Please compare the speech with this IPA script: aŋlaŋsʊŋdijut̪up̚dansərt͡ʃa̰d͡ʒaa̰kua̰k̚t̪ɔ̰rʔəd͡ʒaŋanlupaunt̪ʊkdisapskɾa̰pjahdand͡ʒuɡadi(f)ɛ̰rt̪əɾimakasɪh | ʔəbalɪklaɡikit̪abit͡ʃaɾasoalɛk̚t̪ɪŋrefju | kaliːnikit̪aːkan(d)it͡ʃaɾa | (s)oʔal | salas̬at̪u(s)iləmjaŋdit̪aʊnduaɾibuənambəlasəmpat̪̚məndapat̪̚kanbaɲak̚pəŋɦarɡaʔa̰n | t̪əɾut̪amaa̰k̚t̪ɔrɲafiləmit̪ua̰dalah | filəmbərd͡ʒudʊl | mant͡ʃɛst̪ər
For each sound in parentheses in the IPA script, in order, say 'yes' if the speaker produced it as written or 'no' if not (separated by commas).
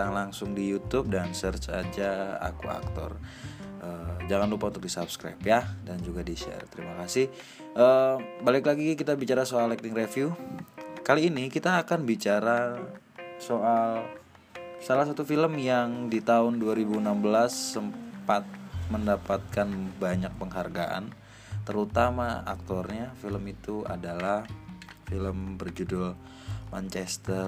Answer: no, no, yes, no